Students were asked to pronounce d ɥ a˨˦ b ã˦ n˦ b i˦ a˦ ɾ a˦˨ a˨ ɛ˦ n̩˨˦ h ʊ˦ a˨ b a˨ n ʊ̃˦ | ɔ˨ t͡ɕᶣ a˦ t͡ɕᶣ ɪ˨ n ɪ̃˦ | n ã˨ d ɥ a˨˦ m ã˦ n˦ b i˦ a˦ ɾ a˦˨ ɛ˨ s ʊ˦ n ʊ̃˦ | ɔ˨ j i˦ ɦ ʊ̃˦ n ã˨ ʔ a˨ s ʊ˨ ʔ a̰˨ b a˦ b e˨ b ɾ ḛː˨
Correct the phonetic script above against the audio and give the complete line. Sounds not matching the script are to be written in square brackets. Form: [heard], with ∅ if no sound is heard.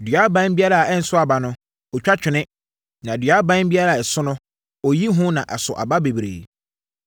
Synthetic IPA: d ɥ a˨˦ b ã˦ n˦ b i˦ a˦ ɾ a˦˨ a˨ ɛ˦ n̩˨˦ [s] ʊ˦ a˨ b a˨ n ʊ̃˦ | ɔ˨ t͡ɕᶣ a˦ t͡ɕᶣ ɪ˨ n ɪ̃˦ | n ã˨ d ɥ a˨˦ [b] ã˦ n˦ b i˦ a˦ ɾ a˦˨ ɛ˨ s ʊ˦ n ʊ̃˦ | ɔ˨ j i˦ ɦ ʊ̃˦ n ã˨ ʔ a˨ s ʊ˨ ʔ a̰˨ b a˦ b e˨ b ɾ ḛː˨